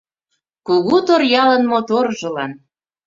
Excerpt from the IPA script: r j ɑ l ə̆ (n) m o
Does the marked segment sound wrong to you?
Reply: no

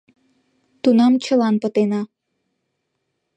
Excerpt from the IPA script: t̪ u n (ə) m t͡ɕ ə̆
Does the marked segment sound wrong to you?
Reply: yes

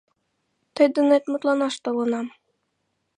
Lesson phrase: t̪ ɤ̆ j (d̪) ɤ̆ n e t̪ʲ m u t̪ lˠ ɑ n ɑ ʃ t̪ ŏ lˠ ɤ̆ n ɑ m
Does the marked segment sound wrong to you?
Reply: no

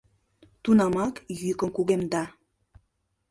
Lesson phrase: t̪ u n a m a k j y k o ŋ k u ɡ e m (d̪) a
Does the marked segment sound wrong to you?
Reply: no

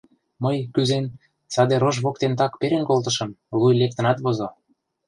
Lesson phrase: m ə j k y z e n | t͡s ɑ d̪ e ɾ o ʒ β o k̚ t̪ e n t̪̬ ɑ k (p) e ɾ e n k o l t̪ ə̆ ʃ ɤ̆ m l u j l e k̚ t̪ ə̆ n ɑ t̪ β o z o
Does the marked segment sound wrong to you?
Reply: no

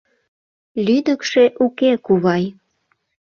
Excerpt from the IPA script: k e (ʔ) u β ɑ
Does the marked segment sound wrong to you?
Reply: yes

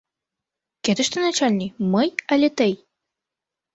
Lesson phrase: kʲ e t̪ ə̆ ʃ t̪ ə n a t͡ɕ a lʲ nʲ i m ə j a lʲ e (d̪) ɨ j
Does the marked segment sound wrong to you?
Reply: yes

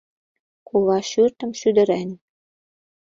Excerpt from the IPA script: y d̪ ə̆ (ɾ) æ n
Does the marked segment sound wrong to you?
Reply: no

